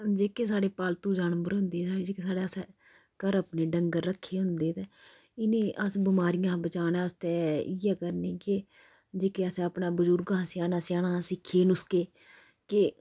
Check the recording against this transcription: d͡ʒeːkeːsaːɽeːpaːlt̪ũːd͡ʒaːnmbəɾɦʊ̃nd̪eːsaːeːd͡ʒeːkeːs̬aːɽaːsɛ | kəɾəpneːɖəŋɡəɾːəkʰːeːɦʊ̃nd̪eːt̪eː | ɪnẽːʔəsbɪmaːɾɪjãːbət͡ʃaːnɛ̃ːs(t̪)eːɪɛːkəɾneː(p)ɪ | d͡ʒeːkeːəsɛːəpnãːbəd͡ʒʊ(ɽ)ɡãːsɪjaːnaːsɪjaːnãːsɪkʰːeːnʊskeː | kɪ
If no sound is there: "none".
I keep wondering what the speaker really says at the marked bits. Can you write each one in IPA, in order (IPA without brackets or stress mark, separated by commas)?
t̪, k, ɾ